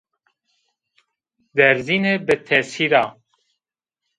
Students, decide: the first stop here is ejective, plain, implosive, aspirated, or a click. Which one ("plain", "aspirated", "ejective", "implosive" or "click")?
plain